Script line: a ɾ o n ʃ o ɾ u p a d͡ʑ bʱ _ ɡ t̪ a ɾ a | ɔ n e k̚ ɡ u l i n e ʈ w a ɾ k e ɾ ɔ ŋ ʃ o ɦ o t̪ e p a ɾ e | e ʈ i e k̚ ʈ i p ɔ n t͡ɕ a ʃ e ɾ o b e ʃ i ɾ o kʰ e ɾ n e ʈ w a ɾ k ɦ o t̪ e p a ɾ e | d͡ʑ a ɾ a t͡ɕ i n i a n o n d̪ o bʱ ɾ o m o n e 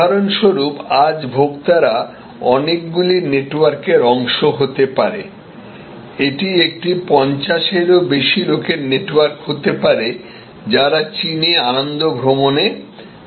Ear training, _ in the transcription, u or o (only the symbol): o